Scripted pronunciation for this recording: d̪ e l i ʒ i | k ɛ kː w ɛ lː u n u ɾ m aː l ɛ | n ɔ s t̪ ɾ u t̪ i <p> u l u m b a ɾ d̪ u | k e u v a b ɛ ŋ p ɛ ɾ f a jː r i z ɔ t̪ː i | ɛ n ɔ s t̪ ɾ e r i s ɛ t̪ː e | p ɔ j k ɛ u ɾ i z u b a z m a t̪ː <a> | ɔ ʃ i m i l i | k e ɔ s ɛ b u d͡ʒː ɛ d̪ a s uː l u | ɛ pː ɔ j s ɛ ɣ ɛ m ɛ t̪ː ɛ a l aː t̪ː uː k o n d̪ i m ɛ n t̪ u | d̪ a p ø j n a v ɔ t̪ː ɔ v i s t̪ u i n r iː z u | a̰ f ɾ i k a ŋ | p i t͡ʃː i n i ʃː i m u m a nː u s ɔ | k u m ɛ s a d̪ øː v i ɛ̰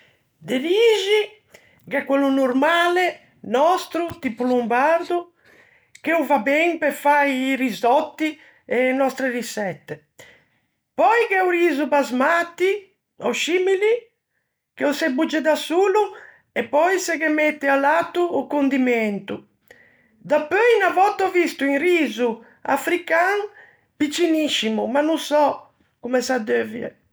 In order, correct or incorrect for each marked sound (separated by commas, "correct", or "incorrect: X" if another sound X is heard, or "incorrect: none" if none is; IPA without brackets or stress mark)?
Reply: correct, incorrect: i